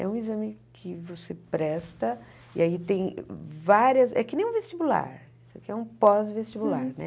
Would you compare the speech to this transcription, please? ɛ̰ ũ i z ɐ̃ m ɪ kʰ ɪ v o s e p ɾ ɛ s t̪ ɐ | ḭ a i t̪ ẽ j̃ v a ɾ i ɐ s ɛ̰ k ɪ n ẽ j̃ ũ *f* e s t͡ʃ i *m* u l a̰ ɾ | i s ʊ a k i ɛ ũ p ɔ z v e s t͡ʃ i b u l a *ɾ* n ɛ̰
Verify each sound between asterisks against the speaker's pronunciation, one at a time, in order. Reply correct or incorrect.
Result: incorrect: v, incorrect: b, correct

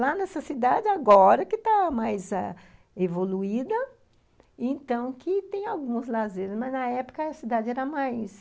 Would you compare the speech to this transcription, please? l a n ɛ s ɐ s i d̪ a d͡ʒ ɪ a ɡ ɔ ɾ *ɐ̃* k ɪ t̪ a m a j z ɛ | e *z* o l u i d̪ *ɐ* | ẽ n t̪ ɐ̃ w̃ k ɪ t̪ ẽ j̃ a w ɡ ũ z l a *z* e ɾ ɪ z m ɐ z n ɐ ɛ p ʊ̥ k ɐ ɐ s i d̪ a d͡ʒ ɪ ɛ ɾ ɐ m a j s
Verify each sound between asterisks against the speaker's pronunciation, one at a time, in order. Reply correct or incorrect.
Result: incorrect: ɐ, incorrect: v, correct, correct

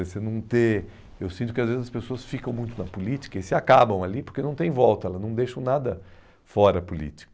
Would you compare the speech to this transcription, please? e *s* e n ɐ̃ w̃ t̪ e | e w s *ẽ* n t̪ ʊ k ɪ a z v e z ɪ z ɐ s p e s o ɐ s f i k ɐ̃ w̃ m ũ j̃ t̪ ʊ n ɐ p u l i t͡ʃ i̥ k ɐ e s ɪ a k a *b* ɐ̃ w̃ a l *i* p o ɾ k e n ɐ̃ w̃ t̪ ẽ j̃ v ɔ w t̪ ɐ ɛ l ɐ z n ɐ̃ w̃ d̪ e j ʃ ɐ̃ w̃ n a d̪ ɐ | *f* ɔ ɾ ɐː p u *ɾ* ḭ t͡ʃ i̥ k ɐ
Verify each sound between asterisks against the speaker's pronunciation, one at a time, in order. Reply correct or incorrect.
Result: correct, incorrect: ĩ, correct, correct, correct, incorrect: l

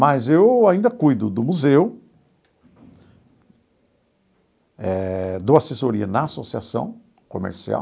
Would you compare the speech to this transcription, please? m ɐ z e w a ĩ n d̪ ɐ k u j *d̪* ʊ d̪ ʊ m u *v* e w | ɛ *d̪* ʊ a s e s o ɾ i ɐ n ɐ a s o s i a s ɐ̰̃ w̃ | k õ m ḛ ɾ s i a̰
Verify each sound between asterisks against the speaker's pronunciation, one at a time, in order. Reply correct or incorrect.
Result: correct, incorrect: z, correct

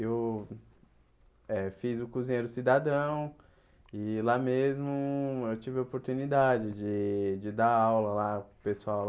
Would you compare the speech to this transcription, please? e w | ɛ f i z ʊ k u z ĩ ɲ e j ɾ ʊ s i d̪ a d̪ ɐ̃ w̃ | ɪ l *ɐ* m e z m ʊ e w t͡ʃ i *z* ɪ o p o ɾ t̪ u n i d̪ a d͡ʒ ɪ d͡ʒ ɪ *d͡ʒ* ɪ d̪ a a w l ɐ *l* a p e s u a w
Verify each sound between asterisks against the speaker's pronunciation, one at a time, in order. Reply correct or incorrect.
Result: incorrect: a, incorrect: v, correct, correct

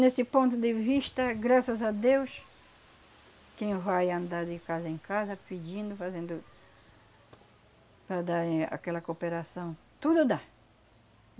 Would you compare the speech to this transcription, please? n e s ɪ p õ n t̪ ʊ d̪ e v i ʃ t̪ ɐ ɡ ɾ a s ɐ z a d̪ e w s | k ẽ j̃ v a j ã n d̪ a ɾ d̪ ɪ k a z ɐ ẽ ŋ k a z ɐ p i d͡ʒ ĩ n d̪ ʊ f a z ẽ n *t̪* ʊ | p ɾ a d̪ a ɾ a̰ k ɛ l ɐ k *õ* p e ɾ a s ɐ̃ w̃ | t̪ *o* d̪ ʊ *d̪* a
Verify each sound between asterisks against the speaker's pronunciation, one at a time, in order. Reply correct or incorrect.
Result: incorrect: d̪, incorrect: o, incorrect: u, correct

